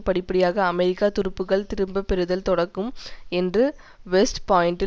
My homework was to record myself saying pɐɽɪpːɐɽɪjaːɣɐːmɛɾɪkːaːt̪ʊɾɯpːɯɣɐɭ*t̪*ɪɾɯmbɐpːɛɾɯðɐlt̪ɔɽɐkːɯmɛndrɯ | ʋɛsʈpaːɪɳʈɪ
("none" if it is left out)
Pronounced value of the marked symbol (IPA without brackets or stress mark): t̪